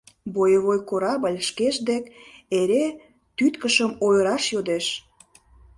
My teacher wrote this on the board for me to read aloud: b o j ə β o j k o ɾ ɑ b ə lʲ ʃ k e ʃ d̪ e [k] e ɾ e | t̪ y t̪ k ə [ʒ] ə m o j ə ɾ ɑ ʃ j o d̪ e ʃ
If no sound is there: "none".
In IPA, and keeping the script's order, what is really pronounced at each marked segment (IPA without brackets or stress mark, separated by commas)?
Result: k, ʃ